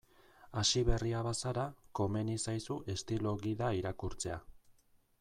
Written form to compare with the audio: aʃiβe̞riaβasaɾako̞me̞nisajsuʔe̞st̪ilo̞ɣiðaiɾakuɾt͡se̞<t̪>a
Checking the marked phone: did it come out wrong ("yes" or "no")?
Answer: yes